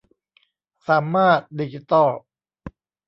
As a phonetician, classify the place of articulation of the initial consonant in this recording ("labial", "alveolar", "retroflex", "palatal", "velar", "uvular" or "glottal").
alveolar